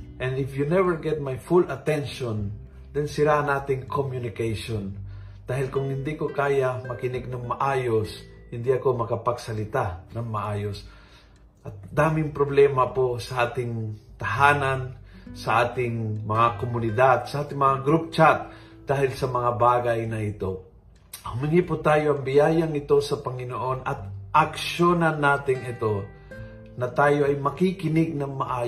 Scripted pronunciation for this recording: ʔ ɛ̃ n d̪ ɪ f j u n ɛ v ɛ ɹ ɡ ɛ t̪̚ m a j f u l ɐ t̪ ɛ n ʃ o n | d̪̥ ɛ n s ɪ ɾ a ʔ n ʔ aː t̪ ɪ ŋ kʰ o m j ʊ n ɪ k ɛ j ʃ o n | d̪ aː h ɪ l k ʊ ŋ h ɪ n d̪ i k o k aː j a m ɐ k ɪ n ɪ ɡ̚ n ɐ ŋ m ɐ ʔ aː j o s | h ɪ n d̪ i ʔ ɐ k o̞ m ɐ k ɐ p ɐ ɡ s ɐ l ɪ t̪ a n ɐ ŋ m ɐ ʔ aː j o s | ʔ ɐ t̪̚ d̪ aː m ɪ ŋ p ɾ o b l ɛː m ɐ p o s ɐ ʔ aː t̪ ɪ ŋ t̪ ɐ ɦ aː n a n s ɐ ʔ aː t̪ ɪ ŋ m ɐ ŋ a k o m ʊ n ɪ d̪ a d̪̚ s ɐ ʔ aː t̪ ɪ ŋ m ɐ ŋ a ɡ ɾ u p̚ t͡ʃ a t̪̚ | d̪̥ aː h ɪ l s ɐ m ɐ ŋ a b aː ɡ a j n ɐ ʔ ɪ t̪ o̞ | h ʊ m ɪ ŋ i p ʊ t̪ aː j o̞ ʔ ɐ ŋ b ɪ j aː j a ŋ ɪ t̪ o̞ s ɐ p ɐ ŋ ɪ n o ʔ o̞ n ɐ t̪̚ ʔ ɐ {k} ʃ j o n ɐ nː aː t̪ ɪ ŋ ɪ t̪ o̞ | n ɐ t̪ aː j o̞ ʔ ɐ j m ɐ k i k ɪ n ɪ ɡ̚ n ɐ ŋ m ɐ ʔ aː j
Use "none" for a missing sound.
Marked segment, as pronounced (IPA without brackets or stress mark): k